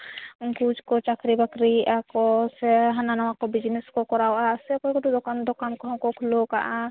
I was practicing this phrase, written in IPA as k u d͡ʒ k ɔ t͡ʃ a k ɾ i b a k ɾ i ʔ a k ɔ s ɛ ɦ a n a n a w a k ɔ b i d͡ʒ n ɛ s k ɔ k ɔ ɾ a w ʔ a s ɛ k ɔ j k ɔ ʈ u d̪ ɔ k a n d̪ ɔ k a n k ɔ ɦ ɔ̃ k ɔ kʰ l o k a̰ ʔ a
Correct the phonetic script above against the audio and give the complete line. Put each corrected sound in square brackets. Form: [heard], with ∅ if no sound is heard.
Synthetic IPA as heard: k u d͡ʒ k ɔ t͡ʃ a k ɾ i b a k ɾ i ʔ a k ɔ s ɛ ɦ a n a n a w a k ɔ b i d͡ʒ n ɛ s k ɔ k ɔ ɾ a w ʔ a s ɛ k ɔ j k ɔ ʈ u d̪ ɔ k a n d̪ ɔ k a n k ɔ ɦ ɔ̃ k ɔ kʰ l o k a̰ ʔ a

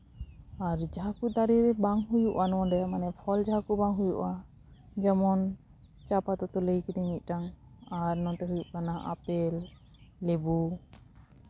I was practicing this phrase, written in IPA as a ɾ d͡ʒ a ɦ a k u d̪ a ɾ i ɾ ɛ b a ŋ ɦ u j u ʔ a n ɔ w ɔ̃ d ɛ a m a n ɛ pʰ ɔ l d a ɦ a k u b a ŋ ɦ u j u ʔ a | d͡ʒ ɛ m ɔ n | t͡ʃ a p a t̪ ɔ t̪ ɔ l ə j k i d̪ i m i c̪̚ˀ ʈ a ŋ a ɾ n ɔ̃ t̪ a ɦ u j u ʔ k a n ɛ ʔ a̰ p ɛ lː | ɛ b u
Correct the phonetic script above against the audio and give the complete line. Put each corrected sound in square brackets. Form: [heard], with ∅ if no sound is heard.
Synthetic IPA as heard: a ɾ d͡ʒ a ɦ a k u d̪ a ɾ i ɾ ɛ b a ŋ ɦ u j u ʔ a n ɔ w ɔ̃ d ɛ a m a n ɛ pʰ ɔ l [d͡ʒ] a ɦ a k u b a ŋ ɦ u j u ʔ a | d͡ʒ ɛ m ɔ n | t͡ʃ a p a t̪ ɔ t̪ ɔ l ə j k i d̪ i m i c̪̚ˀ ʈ a ŋ a ɾ n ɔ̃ t̪ [ɛ] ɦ u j u ʔ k a n [a] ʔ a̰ p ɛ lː | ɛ b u

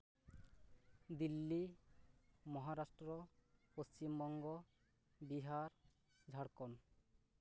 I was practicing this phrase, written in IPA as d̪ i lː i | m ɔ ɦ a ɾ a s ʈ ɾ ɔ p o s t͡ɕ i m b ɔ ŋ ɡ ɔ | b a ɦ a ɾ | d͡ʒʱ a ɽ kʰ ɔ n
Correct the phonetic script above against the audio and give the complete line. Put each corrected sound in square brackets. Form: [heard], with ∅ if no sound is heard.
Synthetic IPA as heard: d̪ i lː i | m ɔ ɦ a ɾ a s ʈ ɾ ɔ p o s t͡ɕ i m b ɔ ŋ ɡ ɔ | b [i] ɦ a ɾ | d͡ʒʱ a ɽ [k] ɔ n

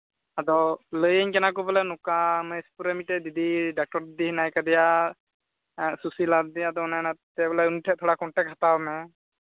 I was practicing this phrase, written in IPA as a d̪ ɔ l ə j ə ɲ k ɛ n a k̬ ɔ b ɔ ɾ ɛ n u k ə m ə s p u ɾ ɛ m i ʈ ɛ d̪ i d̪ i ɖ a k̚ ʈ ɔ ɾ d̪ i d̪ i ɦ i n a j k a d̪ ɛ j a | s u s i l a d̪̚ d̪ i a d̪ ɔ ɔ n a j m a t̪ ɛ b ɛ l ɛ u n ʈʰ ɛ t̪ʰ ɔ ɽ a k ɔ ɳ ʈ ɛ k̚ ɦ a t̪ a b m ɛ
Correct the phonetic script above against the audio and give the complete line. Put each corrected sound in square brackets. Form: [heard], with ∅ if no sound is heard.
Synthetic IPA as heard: a d̪ ɔ l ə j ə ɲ k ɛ n a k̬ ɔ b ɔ [l] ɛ n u k [a] m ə s p u ɾ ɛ m i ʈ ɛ d̪ i d̪ i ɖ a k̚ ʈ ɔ ɾ d̪ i d̪ i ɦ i n a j k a d̪ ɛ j a | s u s i l a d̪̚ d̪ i a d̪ ɔ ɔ n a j [n] a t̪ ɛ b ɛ l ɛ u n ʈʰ ɛ t̪ʰ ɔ ɽ a k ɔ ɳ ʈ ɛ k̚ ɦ a t̪ a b m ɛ

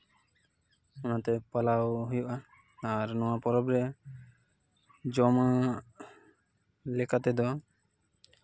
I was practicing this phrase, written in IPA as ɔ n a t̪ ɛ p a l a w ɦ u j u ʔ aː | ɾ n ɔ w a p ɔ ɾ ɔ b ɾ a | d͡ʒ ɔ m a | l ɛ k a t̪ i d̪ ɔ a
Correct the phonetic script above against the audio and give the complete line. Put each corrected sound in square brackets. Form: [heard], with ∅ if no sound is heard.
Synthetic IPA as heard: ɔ n a t̪ ɛ p a l a w ɦ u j u ʔ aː | ɾ n ɔ w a p ɔ ɾ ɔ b ɾ [ɛ] | d͡ʒ ɔ m a | l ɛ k a t̪ [ɛ] d̪ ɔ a

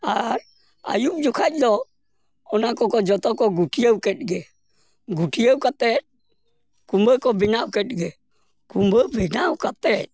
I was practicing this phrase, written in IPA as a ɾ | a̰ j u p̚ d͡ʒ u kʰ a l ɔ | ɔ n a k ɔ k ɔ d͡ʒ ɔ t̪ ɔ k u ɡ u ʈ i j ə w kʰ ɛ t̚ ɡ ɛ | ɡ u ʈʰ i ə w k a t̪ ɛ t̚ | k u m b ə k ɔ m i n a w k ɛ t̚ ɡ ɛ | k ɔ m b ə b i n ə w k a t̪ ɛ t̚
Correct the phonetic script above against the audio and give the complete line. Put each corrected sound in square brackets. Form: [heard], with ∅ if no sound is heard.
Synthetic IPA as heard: a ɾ | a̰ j u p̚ d͡ʒ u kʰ a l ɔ | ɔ n a k ɔ k ɔ d͡ʒ ɔ t̪ ɔ k [ɔ] ɡ u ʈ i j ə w [k] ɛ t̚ ɡ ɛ | ɡ u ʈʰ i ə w k a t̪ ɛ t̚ | k u m b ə k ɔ [b] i n a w k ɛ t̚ ɡ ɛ | k [u] m b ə b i n [a] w k a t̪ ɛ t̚

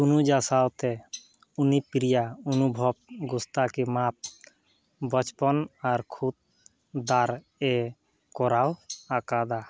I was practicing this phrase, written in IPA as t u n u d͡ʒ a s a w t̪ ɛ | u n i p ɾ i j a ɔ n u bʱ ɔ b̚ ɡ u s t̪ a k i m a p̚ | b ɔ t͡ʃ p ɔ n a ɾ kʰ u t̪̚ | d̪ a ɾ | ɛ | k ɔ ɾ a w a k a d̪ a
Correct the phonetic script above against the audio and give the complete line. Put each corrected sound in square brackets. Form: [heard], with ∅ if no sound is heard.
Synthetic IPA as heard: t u n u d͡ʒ a s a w t̪ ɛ | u n i p ɾ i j a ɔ n u bʱ ɔ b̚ ɡ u s t̪ a k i m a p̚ | b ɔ t͡ʃ p ɔ n a ɾ kʰ u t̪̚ | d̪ a ɾ | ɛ | k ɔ ɾ a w a k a d̪ a

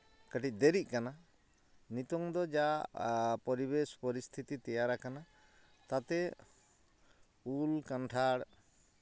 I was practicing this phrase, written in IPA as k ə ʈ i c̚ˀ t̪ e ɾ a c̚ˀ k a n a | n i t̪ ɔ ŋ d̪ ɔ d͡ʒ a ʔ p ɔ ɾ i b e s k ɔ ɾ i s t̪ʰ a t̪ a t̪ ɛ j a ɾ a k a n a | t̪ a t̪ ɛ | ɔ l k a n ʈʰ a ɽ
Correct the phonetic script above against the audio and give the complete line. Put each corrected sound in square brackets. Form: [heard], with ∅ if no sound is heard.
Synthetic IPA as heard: k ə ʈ i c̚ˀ [d̪] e ɾ [i] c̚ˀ k a n a | n i t̪ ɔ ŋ d̪ ɔ d͡ʒ a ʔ p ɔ ɾ i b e s [p] ɔ ɾ i s t̪ʰ [i] t̪ [i] t̪ ɛ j a ɾ a k a n a | t̪ a t̪ ɛ | [u] l k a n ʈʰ a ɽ

